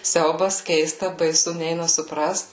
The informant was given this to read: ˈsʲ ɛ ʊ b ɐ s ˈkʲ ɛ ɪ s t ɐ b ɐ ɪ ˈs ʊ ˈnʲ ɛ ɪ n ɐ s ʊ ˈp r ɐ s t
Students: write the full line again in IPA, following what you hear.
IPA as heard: ˈsʲ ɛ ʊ b ɐ s ˈkʲ ɛ ɪ s t ɐ b ɐ ɪ ˈs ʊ ˈnʲ ɛ ɪ n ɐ s ʊ ˈp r ɐ s t